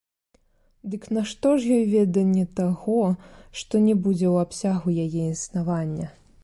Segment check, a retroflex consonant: present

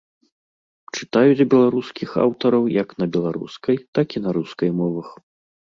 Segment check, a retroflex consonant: present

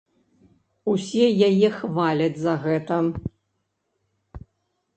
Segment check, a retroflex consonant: absent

